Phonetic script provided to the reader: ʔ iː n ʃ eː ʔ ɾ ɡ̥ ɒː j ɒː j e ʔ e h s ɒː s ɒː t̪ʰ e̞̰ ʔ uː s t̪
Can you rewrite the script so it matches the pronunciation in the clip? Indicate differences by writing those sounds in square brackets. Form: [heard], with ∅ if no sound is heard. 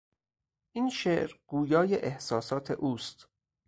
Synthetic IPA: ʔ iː n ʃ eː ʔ ɾ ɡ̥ [uː] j ɒː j e ʔ e h s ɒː s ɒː t̪ʰ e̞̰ ʔ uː s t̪